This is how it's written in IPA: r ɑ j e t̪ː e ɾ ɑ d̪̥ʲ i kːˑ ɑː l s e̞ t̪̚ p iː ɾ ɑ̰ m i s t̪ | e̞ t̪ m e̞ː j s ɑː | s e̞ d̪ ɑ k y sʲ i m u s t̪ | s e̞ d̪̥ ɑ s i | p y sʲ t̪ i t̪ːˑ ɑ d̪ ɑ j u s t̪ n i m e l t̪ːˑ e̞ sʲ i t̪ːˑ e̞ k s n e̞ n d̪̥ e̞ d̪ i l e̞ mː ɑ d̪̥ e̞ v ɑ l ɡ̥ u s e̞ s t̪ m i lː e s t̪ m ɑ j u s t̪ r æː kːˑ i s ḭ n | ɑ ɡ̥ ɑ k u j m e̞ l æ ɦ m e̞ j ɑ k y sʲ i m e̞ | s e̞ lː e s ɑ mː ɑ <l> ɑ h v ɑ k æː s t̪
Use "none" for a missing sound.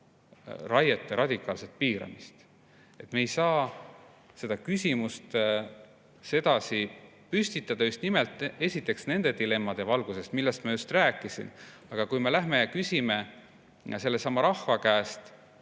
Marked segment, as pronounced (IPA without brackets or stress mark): ɾ